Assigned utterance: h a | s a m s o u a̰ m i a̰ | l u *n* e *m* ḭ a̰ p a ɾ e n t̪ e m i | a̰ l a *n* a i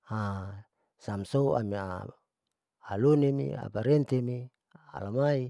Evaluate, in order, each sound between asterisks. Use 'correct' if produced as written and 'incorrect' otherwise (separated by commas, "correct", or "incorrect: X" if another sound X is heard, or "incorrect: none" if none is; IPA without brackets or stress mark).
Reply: correct, correct, incorrect: m